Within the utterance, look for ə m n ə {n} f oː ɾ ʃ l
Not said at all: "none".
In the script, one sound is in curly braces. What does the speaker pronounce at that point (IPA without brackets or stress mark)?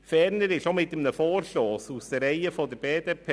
none